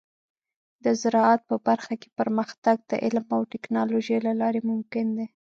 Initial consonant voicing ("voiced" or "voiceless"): voiced